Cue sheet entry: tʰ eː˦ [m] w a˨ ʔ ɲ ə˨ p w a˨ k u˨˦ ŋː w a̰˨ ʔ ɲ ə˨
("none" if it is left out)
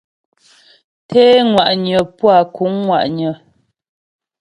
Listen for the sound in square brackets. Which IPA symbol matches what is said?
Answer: ŋ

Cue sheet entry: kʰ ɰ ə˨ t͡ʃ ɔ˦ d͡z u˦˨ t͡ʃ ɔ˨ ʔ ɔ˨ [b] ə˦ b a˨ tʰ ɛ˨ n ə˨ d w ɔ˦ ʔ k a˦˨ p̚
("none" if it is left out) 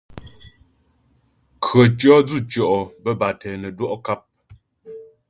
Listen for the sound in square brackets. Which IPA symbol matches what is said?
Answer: b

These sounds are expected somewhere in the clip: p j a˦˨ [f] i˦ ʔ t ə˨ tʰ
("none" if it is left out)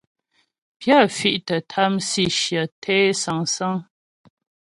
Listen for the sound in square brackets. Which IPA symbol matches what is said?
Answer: f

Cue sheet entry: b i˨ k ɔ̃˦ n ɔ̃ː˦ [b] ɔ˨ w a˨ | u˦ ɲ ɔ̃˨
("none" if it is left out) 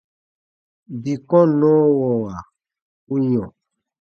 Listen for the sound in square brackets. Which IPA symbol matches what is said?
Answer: w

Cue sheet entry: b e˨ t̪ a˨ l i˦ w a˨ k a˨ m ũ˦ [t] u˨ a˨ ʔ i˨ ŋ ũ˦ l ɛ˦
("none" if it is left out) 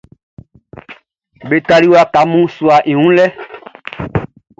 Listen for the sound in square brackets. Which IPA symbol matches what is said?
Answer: s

